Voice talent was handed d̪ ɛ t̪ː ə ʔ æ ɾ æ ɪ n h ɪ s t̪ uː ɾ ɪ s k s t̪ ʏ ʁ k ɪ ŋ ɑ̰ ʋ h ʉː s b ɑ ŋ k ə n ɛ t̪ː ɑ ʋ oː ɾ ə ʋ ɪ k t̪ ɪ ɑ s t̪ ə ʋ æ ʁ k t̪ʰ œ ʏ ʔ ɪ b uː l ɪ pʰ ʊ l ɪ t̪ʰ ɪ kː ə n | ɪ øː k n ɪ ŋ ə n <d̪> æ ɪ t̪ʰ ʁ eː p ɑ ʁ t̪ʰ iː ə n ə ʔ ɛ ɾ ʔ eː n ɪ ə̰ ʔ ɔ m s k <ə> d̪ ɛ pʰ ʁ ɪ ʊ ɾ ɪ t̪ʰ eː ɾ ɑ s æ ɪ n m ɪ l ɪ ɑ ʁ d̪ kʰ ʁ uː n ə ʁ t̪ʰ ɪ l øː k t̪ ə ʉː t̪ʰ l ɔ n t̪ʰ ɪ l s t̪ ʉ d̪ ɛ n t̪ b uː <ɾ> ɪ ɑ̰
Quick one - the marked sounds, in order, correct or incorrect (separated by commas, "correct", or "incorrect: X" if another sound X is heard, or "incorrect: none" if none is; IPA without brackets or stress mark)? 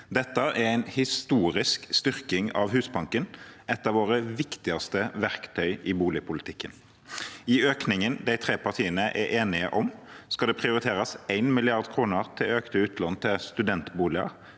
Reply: correct, incorrect: ɑ, incorrect: l